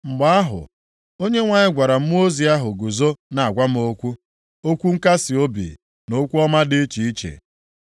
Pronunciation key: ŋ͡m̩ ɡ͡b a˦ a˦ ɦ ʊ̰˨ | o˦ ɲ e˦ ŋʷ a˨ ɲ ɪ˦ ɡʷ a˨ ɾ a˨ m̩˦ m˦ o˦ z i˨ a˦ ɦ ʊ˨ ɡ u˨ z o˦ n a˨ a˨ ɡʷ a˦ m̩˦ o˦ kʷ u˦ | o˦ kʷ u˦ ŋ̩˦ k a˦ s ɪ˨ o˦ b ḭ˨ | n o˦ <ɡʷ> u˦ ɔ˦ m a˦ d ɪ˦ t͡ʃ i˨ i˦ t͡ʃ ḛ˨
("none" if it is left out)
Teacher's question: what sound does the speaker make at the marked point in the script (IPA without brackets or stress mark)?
kʷ